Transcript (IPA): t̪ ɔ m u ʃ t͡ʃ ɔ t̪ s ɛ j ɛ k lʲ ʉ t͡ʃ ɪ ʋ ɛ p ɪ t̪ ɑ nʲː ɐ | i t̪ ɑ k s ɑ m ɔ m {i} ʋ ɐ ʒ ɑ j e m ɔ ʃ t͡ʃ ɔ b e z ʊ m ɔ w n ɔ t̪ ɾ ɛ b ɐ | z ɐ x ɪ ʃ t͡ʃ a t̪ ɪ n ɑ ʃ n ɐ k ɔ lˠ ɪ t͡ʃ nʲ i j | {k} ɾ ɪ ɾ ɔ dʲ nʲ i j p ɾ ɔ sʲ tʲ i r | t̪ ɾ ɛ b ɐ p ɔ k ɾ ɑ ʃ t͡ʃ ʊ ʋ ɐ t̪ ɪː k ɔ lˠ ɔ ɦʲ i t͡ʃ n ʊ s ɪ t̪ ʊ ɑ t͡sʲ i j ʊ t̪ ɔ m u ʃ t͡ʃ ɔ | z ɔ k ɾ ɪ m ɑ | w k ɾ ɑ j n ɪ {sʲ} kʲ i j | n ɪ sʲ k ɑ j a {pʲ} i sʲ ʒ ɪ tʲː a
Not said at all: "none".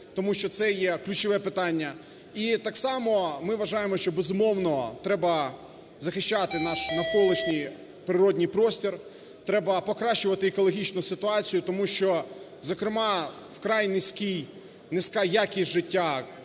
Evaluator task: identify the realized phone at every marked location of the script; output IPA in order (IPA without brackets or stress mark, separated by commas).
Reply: ɪ, p, sʲ, kʲ